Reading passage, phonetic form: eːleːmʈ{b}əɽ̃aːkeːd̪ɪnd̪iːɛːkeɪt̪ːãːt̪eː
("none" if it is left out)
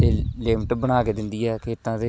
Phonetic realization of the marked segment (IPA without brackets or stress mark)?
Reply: b